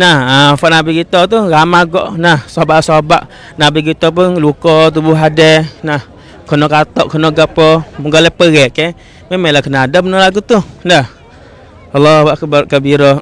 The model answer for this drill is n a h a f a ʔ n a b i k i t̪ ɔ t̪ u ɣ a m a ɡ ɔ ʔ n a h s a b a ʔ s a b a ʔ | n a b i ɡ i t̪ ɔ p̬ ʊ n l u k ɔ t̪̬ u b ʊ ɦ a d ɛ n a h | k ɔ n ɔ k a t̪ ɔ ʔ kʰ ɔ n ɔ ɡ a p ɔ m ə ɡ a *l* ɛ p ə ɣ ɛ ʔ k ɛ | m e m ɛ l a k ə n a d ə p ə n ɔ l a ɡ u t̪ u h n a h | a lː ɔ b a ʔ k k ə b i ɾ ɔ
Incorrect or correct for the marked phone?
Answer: correct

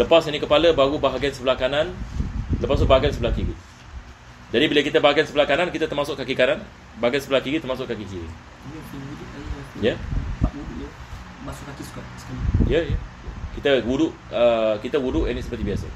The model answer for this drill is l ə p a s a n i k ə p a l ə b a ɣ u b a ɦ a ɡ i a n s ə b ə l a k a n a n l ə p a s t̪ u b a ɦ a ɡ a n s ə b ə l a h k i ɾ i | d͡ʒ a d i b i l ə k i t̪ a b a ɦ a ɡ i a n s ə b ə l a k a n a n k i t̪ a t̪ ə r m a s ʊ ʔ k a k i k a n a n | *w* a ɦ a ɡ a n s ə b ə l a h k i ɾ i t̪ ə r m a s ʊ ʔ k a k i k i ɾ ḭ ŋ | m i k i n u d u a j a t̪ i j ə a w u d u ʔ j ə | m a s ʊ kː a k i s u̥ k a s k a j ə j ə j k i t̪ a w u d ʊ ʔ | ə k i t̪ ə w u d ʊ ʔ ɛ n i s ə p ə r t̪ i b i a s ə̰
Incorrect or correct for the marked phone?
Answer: incorrect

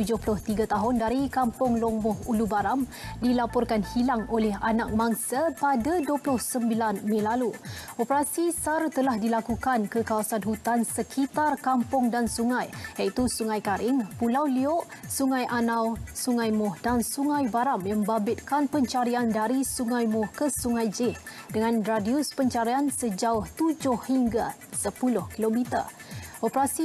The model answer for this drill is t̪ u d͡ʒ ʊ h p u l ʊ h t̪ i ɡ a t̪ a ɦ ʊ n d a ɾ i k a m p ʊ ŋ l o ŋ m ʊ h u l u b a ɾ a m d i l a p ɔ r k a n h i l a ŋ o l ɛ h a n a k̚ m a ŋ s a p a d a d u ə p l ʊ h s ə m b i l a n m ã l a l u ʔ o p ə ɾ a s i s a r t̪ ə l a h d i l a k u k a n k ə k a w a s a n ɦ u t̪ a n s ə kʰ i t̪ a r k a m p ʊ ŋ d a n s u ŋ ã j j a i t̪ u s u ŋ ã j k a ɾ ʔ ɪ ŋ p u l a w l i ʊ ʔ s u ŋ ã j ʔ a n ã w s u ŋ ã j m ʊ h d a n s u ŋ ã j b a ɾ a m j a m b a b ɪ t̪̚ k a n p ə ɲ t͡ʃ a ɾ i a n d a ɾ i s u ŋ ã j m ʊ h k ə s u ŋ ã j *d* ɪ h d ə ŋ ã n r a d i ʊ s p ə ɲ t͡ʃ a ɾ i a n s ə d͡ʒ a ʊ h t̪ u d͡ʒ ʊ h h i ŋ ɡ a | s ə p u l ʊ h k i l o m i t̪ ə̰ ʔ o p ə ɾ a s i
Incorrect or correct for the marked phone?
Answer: incorrect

